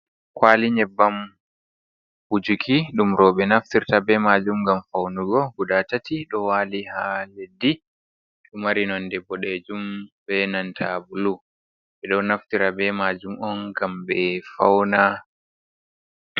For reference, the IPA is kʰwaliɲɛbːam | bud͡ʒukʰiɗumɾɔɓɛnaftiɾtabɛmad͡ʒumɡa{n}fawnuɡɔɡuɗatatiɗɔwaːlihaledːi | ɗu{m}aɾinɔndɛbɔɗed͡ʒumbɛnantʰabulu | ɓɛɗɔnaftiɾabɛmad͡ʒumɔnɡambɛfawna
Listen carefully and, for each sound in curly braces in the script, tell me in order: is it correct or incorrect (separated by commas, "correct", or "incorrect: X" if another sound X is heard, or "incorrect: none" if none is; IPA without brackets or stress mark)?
incorrect: m, correct